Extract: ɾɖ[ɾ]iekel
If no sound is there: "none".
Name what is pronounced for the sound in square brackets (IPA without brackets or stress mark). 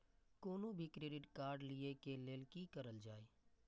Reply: l